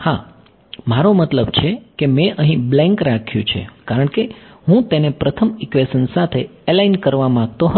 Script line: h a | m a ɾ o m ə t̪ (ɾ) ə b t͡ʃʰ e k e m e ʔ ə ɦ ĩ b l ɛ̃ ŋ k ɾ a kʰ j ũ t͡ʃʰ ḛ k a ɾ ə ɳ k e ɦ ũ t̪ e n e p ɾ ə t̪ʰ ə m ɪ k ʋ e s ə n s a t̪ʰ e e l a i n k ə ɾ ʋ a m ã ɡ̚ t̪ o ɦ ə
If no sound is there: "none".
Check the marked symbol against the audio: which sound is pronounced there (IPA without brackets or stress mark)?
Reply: l